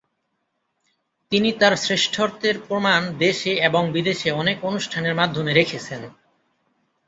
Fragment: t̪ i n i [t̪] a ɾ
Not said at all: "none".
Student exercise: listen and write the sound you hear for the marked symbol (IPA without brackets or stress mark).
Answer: t̪